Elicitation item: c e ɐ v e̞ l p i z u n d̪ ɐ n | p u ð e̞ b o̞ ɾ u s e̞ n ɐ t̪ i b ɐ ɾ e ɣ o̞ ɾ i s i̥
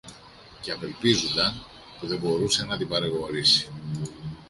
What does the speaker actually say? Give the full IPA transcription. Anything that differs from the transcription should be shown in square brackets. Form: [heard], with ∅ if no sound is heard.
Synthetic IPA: c e ɐ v e̞ l p i z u n d̪ ɐ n | p u ð e̞ b o̞ ɾ u s e̞ n ɐ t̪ i b ɐ ɾ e ɣ o̞ ɾ i s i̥